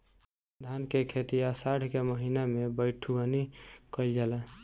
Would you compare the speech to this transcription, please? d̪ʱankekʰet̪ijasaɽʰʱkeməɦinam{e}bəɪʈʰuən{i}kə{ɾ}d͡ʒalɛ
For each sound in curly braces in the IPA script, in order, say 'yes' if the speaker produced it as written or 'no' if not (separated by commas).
yes, yes, no